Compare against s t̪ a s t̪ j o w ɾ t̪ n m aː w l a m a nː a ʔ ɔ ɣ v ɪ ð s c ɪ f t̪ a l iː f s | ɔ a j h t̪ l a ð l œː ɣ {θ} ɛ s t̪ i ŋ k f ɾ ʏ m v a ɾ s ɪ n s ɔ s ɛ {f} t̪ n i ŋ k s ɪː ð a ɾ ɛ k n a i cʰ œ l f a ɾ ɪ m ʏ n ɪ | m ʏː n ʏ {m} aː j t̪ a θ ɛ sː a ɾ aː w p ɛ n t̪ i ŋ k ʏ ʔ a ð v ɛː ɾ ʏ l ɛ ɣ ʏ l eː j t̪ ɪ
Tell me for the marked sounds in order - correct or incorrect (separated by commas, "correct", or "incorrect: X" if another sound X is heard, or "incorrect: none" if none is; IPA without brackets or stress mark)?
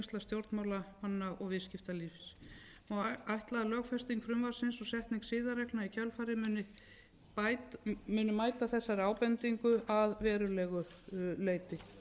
incorrect: f, incorrect: h, correct